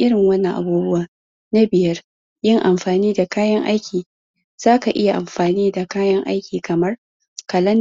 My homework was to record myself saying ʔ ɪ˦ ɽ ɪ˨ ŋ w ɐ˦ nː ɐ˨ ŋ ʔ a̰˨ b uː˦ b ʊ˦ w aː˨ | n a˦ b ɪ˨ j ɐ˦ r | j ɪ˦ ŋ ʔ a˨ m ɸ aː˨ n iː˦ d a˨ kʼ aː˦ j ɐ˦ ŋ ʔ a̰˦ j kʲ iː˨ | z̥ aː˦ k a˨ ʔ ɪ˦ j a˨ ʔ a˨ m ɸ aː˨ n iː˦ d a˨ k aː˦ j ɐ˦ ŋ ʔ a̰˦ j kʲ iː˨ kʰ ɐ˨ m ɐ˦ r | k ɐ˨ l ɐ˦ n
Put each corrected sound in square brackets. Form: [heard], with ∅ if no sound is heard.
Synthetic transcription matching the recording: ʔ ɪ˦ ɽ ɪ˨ ŋ w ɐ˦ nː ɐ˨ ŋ ʔ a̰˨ b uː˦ b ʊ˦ w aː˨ | n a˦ b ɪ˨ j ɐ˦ r | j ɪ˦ ŋ ʔ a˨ m ɸ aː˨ n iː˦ d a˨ [k] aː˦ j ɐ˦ ŋ ʔ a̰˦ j kʲ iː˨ | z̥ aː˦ k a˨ ʔ ɪ˦ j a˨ ʔ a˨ m ɸ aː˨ n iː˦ d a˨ k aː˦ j ɐ˦ ŋ ʔ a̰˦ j kʲ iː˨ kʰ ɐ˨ m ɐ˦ r | k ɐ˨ l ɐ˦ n

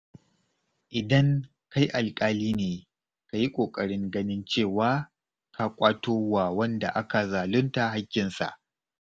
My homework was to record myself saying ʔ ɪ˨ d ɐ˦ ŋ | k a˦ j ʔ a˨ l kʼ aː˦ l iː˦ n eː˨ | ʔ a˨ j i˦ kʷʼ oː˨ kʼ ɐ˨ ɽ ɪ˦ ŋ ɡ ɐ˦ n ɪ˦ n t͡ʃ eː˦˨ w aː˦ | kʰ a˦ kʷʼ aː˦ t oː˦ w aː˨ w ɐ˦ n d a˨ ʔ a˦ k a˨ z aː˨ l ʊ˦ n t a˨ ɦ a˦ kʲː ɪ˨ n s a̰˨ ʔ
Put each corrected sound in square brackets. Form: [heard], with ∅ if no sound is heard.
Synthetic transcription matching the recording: ʔ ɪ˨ d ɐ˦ ŋ | k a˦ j ʔ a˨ l kʼ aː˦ l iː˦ n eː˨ | [k] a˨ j i˦ kʷʼ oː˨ kʼ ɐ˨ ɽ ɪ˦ ŋ ɡ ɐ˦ n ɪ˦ n t͡ʃ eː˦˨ w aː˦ | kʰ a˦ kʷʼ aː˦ t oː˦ w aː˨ w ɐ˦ n d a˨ ʔ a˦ k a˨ z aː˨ l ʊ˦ n t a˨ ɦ a˦ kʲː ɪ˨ n s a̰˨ ʔ

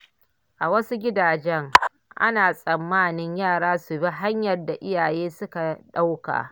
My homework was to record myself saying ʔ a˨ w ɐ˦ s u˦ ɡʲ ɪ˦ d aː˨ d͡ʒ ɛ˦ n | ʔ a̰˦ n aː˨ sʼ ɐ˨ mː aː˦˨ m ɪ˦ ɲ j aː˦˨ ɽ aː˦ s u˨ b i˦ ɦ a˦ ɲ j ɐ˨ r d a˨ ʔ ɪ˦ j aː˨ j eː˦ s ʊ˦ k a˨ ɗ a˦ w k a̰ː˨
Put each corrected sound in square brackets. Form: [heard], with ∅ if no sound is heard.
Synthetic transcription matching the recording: ʔ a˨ w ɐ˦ s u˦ ɡʲ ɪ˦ d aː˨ d͡ʒ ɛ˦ [ŋ] | ʔ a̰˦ n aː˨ sʼ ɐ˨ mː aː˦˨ [n] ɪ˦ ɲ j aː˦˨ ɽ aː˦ s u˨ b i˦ ɦ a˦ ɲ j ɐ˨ r d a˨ ʔ ɪ˦ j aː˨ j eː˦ s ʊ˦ k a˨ ɗ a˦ w k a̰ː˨

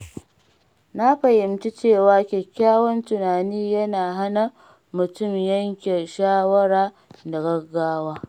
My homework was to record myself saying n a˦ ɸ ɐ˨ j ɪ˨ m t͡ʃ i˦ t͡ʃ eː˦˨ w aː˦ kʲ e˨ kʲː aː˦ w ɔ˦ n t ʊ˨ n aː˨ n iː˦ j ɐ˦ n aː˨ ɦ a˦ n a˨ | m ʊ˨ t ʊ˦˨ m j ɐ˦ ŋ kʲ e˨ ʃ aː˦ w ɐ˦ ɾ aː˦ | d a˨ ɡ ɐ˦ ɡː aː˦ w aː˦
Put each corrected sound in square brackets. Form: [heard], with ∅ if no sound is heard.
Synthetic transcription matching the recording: n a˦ ɸ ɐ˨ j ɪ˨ m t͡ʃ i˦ t͡ʃ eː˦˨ w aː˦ kʲ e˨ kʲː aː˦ w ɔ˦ n t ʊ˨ n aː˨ n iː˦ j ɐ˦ n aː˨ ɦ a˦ n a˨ | m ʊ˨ t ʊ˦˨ m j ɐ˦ ŋ kʲ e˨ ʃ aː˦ w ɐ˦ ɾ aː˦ | d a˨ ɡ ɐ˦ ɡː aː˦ w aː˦

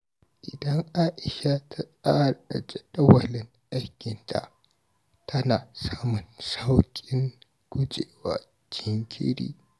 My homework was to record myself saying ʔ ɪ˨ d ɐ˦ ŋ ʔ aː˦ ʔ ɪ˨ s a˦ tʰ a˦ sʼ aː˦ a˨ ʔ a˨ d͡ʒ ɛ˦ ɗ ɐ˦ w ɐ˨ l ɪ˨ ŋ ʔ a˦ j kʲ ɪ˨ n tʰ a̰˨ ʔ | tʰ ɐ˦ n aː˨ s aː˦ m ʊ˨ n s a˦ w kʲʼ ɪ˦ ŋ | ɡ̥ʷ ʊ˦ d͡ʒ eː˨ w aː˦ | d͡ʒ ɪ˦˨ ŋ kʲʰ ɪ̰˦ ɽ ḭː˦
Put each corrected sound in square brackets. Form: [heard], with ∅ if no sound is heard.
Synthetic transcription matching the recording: ʔ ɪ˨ d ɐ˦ ŋ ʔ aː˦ ʔ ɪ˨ [ʃ] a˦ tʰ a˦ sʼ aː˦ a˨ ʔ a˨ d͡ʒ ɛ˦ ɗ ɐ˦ w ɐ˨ l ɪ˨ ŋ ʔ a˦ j kʲ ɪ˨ n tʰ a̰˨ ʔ | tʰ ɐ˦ n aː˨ s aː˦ m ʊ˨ n s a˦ w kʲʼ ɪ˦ ŋ | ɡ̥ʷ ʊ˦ d͡ʒ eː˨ w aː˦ | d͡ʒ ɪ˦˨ ŋ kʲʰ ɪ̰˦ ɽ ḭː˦

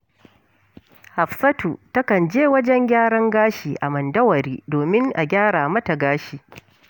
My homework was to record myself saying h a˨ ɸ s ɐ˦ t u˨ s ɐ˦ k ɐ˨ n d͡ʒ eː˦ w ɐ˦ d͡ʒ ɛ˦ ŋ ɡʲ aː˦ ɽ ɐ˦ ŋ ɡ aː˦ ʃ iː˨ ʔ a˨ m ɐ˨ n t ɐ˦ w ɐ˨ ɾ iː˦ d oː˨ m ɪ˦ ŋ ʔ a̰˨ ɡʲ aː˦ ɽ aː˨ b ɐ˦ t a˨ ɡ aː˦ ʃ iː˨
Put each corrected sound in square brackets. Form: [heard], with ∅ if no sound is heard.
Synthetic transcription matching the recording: h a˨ ɸ s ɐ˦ t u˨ [t] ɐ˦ k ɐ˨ n d͡ʒ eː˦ w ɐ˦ d͡ʒ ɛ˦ ŋ ɡʲ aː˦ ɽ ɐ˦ ŋ ɡ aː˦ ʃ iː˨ ʔ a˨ m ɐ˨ n [d] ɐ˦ w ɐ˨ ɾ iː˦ d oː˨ m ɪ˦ ŋ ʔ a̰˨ ɡʲ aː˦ ɽ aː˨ [m] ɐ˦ t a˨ ɡ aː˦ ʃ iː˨

